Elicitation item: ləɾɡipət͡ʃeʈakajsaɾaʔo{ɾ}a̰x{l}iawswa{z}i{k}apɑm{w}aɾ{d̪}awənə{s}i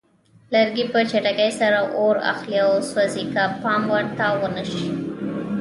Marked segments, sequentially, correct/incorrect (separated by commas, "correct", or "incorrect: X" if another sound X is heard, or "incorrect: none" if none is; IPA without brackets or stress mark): correct, correct, correct, correct, correct, incorrect: t̪, incorrect: ʃ